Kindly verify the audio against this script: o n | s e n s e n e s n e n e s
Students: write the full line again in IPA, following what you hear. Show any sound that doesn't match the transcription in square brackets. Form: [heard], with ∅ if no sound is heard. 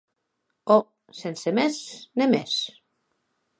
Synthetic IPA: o [∅] | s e n s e [m] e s n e [m] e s